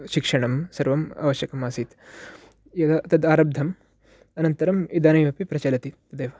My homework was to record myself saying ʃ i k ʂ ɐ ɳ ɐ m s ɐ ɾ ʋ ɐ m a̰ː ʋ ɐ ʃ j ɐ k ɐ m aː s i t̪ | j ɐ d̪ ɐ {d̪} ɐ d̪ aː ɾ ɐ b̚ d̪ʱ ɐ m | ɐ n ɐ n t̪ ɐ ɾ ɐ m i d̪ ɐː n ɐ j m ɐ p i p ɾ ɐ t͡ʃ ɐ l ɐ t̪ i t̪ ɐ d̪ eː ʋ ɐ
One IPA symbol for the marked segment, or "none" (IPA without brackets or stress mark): t̪